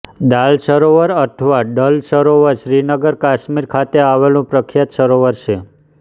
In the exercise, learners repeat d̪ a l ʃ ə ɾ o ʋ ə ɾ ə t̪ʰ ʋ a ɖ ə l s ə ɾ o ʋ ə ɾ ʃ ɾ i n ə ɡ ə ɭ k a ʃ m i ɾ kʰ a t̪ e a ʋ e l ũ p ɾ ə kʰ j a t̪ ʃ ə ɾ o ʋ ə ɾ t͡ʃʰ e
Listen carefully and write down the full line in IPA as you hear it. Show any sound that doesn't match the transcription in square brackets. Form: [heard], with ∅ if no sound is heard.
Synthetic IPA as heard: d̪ a l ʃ ə ɾ o ʋ ə ɾ ə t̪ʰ ʋ a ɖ ə l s ə ɾ o ʋ ə ɾ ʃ ɾ i n ə ɡ ə [ɾ] k a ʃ m i ɾ kʰ a t̪ e a ʋ e l ũ p ɾ ə kʰ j a t̪ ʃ ə ɾ o ʋ ə ɾ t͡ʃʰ e